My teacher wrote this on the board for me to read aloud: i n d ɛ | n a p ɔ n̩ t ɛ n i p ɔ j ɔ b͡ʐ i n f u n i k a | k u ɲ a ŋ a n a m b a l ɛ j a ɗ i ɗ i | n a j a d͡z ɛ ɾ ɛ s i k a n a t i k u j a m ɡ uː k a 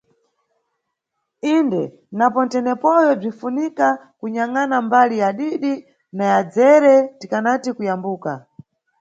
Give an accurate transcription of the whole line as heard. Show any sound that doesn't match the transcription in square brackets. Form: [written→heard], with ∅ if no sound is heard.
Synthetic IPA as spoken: i n d ɛ | n a p ɔ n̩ t ɛ n [i→ɛ] p ɔ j ɔ b͡ʐ i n f u n i k a | k u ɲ a ŋ a n a m b a l [ɛ→i] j a ɗ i ɗ i | n a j a d͡z ɛ ɾ ɛ [s→t] i k a n a t i k u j a m [ɡ→b] uː k a